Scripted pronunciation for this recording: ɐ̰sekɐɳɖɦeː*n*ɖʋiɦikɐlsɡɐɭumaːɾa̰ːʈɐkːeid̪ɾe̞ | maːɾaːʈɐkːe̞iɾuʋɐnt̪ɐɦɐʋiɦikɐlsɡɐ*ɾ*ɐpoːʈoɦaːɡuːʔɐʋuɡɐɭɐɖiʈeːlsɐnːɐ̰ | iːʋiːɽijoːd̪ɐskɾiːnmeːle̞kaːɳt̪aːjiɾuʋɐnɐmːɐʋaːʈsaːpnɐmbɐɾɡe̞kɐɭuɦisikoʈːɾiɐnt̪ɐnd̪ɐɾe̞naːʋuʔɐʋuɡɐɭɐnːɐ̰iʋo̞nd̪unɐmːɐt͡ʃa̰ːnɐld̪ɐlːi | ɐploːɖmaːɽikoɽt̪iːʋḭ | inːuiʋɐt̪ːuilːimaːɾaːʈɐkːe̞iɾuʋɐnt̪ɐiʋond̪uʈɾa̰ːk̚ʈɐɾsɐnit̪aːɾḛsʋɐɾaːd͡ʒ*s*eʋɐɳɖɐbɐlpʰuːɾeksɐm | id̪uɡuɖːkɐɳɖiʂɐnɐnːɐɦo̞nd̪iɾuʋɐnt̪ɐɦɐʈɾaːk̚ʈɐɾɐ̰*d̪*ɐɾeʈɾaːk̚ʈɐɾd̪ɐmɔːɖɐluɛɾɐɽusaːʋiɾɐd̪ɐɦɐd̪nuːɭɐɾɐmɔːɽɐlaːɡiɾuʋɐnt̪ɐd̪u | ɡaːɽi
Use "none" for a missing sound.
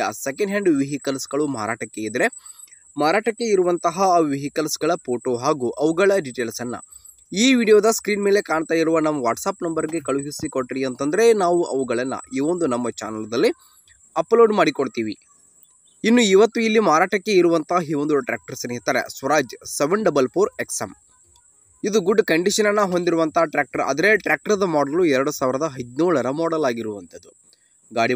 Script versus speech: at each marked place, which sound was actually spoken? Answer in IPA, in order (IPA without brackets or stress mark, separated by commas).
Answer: ɳ, ɭ, s, d̪